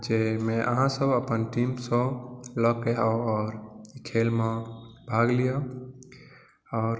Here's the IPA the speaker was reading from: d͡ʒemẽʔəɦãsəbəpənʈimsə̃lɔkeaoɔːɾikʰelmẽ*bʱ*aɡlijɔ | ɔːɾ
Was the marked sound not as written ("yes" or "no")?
no